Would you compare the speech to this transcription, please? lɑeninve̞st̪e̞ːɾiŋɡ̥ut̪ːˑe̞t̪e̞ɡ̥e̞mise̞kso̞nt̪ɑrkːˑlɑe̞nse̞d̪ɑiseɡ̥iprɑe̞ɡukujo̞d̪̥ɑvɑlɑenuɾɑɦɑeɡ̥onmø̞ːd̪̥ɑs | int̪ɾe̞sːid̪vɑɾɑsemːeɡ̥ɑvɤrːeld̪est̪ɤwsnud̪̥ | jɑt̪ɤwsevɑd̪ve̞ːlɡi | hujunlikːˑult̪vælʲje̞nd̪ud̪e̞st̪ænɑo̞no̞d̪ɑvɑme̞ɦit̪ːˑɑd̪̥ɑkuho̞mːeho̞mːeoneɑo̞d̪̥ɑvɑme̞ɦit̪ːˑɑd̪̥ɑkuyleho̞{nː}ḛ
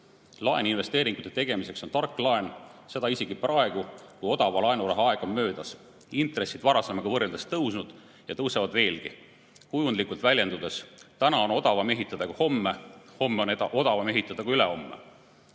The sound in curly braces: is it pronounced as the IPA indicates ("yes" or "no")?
no